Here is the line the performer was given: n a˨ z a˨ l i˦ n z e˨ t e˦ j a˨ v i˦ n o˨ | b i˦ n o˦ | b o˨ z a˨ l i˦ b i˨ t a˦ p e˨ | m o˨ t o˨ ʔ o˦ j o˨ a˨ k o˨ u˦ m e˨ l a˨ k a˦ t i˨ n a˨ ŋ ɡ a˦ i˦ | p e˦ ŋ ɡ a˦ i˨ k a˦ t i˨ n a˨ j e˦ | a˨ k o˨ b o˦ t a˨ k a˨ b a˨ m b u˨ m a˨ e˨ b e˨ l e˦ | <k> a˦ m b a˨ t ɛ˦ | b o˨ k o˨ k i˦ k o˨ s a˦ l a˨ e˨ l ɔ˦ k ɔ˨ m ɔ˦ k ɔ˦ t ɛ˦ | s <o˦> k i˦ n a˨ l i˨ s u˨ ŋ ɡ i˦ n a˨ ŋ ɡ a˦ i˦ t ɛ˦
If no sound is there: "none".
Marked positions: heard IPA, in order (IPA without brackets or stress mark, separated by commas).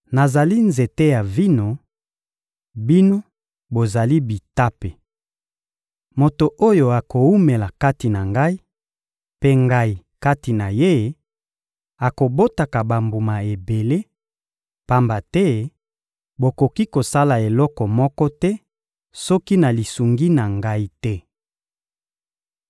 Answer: p, ɔ˦